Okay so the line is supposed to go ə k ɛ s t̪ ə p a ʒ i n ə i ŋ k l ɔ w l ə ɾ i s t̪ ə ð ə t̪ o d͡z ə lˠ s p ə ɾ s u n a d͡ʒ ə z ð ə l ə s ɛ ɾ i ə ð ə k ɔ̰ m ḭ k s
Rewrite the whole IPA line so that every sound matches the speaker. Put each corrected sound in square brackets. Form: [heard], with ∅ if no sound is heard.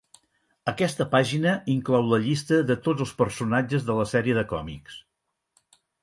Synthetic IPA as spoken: ə k ɛ s t̪ ə p a ʒ i n ə i ŋ k l ɔ w l ə [ʎ] i s t̪ ə ð ə t̪ o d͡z ə lˠ s p ə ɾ s u n a d͡ʒ ə z ð ə l ə s ɛ ɾ i ə ð ə k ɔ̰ m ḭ k s